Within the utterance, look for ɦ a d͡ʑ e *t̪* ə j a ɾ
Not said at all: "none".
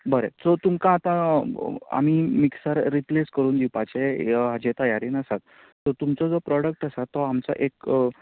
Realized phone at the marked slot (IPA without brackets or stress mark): t̪